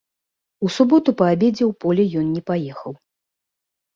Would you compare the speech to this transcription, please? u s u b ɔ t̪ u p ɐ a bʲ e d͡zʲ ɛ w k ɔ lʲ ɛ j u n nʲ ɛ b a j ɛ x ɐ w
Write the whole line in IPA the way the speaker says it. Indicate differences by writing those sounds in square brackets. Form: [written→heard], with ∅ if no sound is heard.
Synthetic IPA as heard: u s u b ɔ t̪ u p ɐ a bʲ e d͡zʲ ɛ w [k→p] ɔ lʲ ɛ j [u→ɔ] n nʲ ɛ [b→p] a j ɛ x ɐ w